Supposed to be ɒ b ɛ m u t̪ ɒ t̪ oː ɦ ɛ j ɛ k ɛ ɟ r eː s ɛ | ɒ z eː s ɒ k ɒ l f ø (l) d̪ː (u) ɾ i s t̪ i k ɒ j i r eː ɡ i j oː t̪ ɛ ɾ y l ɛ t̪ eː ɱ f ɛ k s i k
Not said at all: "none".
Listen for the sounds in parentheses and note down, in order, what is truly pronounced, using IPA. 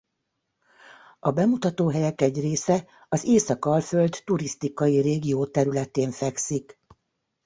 l, u

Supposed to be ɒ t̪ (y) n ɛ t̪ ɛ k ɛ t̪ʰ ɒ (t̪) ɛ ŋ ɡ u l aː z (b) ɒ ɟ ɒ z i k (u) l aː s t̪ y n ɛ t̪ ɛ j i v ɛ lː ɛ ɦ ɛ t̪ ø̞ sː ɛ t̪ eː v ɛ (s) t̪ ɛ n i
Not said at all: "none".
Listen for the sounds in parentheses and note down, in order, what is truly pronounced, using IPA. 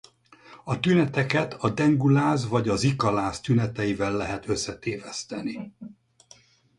y, d̪, v, ɒ, s

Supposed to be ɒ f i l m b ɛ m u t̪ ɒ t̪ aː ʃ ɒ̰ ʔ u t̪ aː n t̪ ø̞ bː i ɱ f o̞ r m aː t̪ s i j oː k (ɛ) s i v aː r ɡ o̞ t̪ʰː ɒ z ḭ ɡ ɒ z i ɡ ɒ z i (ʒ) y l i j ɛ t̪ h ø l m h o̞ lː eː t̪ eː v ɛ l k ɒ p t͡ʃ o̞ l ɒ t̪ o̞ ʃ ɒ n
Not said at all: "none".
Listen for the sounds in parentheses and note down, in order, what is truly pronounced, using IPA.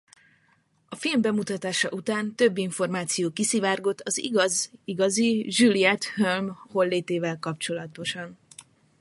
i, ʒ

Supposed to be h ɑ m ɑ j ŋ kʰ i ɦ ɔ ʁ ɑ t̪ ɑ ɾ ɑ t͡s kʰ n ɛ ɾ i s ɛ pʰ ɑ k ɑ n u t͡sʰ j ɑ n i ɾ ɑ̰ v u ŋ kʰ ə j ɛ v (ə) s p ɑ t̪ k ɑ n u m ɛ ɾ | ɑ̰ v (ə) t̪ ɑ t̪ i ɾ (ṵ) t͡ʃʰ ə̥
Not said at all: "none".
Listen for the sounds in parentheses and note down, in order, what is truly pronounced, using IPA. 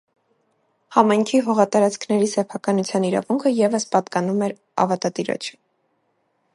ə, ɑ, ɔ̰

